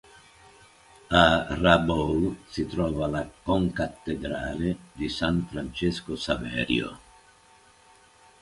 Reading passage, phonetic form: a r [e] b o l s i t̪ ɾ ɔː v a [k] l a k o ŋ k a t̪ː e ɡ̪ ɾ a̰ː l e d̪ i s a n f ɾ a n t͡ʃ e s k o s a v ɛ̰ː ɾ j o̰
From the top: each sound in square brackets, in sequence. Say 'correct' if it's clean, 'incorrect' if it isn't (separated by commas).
incorrect, incorrect